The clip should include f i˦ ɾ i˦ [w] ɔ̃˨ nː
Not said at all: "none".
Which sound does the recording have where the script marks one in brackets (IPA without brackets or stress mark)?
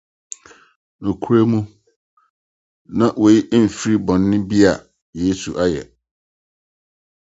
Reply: b